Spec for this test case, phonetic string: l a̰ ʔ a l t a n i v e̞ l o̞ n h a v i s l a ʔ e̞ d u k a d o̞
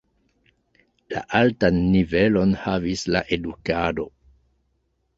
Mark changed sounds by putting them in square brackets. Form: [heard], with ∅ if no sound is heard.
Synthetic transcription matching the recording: l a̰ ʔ a l t a [nː] i v e̞ l o̞ n h a v i s l a ʔ e̞ d u k a d o̞